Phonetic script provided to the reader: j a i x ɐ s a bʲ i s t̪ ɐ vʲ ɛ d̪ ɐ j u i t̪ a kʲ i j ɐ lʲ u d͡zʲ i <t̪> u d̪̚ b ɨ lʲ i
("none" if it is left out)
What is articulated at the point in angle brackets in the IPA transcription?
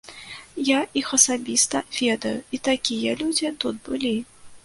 t̪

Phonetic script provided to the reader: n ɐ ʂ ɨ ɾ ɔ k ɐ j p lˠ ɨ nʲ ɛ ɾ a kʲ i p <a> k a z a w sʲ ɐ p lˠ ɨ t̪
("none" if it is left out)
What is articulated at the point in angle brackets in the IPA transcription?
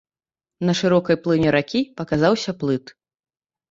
ɐ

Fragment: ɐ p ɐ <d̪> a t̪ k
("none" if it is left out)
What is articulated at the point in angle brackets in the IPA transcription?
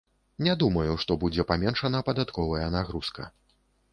d̪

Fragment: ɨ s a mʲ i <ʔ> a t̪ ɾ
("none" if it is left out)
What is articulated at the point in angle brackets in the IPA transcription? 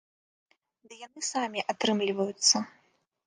ʔ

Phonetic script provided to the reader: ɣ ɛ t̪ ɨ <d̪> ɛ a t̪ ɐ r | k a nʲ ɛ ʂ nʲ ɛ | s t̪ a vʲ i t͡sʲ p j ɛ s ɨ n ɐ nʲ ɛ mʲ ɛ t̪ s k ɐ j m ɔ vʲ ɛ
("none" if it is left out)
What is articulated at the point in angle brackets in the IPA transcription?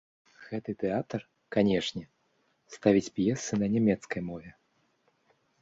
t̪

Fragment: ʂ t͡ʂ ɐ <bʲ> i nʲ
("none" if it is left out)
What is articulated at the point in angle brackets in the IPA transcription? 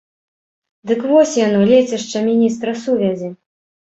mʲ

